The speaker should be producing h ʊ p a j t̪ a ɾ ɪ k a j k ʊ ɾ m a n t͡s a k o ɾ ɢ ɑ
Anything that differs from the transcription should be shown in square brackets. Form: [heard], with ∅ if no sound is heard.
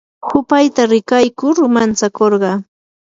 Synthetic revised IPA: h ʊ p a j t̪ a ɾ ɪ k a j k ʊ ɾ m a n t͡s a k o ɾ ɢ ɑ